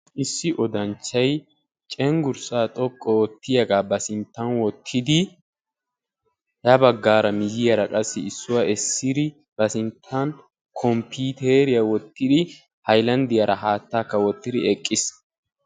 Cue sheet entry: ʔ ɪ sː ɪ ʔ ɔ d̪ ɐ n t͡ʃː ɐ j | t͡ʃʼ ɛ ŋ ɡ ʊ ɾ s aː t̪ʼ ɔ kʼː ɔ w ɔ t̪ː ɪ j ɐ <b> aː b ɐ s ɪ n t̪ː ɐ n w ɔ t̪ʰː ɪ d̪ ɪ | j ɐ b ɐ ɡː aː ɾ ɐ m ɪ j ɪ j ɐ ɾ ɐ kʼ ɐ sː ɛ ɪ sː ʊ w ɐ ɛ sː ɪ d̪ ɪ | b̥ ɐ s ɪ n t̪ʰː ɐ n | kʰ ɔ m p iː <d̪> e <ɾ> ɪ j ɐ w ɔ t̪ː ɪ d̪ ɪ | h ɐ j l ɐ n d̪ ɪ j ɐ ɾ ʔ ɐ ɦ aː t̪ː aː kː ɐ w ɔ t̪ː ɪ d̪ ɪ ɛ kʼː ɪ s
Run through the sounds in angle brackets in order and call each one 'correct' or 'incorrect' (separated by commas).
incorrect, incorrect, correct